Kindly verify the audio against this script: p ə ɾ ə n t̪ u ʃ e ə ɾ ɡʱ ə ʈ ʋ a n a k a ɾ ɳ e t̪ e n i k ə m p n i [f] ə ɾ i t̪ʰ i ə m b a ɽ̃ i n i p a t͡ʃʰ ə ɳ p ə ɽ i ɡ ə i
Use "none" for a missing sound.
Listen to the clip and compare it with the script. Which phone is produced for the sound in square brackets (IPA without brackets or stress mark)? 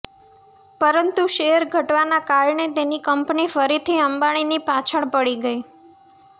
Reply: f